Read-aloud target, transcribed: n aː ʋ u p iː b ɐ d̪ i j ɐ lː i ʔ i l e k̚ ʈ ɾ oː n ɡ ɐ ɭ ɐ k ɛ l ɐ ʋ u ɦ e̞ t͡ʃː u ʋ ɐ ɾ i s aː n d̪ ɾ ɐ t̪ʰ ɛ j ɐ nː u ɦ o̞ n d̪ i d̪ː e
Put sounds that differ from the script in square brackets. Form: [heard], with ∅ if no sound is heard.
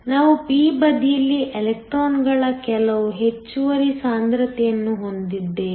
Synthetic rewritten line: n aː ʋ u p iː b ɐ d̪ i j ɐ lː i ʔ [e] l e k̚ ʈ ɾ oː n ɡ ɐ ɭ ɐ k ɛ l ɐ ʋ u ɦ e̞ t͡ʃː u ʋ ɐ ɾ i s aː n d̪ ɾ ɐ [t̪] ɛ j ɐ nː u ɦ o̞ n d̪ i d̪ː e